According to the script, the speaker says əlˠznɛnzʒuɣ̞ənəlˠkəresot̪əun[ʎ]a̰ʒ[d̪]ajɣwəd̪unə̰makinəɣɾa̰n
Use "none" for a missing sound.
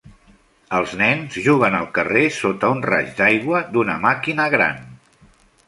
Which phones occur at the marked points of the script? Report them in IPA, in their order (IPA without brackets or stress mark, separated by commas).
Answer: r, d̪